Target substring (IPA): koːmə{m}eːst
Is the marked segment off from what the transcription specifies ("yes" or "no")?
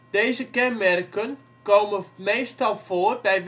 no